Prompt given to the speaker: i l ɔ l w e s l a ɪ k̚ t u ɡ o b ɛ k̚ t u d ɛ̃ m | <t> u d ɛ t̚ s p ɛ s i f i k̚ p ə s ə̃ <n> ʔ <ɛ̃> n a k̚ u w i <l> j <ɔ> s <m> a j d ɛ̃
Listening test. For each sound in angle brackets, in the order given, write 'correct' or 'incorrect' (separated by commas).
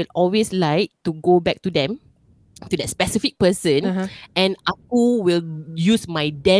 correct, correct, correct, correct, incorrect, correct